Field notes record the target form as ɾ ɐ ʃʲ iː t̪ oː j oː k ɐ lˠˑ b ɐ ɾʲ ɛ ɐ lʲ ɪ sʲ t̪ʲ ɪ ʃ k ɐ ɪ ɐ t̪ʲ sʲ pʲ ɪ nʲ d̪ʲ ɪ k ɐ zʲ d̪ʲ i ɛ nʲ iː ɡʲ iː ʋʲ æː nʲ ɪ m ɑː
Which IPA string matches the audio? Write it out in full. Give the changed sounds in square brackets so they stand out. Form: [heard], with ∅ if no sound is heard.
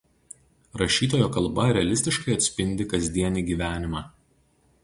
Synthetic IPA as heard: ɾ ɐ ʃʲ iː t̪ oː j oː k ɐ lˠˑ b ɐ ɾʲ ɛ ɐ lʲ ɪ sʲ t̪ʲ ɪ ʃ k ɐ ɪ ɐ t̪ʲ sʲ pʲ ɪ nʲ d̪ʲ ɪ k ɐ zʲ d̪ʲ i ɛ nʲ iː ɡʲ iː ʋʲ æː nʲ ɪ m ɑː